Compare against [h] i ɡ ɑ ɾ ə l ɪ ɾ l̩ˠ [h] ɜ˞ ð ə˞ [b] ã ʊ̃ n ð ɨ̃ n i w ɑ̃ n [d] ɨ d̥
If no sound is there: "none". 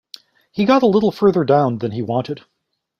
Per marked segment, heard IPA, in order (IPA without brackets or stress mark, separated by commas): h, f, d, t